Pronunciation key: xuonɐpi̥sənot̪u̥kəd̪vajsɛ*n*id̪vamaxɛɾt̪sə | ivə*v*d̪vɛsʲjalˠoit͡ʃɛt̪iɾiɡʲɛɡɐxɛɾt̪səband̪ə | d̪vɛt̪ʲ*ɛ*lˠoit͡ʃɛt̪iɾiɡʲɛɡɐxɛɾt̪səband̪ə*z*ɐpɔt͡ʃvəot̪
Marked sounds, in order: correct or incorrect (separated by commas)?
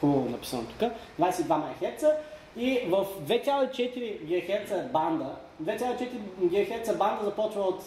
incorrect, incorrect, incorrect, correct